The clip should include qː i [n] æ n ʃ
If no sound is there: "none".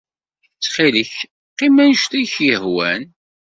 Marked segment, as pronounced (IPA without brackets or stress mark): m